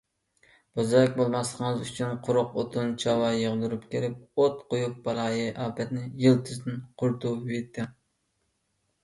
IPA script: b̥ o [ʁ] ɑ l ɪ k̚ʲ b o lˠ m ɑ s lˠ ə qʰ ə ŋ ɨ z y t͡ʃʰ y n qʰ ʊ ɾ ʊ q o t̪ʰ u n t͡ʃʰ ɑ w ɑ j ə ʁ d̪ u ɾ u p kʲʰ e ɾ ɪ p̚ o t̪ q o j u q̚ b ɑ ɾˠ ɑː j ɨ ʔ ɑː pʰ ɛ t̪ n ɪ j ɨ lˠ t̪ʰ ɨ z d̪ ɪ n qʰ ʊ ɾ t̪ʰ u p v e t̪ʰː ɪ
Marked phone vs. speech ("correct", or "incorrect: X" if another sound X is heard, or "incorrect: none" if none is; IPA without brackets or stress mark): incorrect: z